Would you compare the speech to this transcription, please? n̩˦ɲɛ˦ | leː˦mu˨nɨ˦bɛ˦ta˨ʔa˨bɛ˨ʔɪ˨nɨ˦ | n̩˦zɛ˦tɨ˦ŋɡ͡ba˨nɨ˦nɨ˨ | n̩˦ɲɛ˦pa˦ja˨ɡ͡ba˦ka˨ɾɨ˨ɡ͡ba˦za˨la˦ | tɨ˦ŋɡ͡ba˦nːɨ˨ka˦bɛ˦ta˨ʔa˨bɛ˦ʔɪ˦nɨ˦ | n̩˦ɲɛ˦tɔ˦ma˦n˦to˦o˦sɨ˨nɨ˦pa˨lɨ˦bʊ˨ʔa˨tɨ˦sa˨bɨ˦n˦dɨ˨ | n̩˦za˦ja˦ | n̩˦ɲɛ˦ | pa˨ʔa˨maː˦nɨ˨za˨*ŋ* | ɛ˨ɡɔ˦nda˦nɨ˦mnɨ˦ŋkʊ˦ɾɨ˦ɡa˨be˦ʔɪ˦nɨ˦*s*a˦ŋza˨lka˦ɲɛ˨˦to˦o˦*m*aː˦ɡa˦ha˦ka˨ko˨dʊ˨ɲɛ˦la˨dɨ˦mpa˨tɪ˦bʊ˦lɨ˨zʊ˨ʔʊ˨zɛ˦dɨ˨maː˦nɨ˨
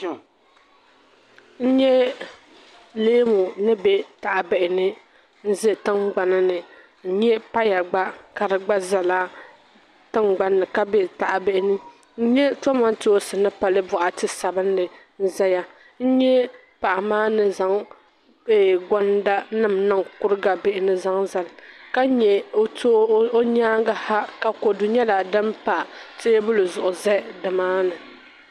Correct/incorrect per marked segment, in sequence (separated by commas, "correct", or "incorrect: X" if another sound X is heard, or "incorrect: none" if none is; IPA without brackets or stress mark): correct, incorrect: z, incorrect: ɲ